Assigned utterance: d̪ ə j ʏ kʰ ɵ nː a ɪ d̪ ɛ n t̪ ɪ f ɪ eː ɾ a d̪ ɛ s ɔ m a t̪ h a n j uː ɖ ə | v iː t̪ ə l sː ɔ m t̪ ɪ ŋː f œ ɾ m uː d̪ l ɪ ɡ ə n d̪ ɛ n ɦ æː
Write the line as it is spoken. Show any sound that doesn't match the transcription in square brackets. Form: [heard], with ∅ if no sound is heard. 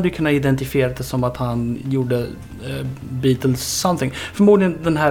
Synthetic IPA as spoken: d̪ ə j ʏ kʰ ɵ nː a ɪ d̪ ɛ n t̪ ɪ f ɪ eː ɾ a d̪ ɛ s ɔ m a t̪ h a n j uː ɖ ə | [b] iː t̪ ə l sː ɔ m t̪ ɪ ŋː f œ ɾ m uː d̪ l ɪ ɡ ə n d̪ ɛ n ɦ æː